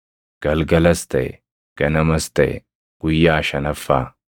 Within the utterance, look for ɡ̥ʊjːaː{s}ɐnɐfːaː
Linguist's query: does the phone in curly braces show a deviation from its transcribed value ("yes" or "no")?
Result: yes